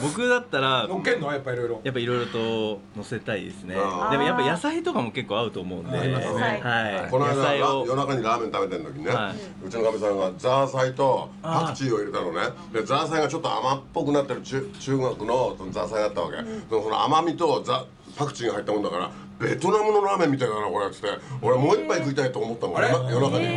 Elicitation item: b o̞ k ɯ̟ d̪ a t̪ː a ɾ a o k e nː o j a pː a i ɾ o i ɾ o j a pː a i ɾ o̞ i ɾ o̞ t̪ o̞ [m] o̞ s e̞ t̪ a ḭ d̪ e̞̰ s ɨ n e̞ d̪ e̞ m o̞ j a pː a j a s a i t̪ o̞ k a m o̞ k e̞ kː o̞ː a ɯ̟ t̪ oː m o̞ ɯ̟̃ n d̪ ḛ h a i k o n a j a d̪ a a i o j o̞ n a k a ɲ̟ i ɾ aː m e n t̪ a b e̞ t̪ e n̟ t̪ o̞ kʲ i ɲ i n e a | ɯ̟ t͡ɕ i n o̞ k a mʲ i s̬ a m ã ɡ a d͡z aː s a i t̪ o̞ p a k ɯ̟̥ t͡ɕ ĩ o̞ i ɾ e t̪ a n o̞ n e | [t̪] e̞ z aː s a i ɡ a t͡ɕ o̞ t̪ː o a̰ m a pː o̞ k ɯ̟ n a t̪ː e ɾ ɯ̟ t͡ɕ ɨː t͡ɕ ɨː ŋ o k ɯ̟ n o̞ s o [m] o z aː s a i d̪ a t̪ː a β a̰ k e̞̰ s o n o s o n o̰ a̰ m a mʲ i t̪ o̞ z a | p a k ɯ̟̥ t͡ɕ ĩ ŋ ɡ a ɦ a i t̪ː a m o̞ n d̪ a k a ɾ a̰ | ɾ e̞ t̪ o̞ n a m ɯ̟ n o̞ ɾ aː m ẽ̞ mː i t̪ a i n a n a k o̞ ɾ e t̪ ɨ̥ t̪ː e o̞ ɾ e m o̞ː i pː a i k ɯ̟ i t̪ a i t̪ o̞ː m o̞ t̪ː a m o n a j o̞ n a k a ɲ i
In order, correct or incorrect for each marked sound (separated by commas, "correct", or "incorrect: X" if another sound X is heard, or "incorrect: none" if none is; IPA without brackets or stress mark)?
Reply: incorrect: n, incorrect: d̪, incorrect: n